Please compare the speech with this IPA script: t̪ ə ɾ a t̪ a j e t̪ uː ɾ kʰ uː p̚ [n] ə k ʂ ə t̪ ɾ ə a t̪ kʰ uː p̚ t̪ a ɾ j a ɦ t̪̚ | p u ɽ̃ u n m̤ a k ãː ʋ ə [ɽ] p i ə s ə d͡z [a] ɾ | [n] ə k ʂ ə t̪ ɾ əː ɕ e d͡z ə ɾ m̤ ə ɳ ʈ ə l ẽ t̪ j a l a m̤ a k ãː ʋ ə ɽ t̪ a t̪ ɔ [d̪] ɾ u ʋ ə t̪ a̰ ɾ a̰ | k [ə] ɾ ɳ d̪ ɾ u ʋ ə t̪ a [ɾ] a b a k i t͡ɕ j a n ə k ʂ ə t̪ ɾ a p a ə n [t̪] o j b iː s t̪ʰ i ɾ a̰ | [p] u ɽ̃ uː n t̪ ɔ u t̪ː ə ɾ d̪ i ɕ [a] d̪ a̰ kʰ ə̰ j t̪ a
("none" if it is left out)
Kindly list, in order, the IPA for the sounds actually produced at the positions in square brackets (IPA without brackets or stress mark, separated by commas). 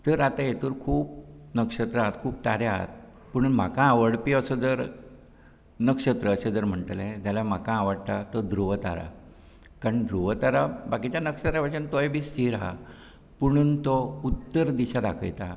n, ɽ, ə, n, d̪, a, ɾ, t̪, p, a